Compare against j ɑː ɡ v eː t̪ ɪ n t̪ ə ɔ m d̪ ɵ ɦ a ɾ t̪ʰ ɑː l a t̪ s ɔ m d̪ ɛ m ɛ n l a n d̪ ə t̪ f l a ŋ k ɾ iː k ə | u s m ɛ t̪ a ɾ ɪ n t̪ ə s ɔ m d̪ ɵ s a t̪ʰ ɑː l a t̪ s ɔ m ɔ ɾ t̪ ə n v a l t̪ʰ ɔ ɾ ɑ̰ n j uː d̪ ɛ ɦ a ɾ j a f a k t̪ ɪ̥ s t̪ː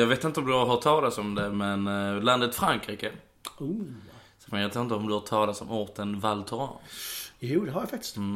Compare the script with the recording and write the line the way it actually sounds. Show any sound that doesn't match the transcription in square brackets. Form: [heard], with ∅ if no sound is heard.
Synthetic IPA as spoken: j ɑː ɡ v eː t̪ ɪ n t̪ ə ɔ m d̪ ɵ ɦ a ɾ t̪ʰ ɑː l a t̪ s ɔ m d̪ ɛ m ɛ n l a n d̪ ə t̪ f [ɾ] a ŋ k ɾ iː k ə | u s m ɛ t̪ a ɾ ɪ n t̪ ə [∅] ɔ m d̪ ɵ [h] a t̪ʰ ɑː l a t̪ s ɔ m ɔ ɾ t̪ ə n v a l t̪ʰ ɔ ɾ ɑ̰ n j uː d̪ ɛ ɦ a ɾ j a f a k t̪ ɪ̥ s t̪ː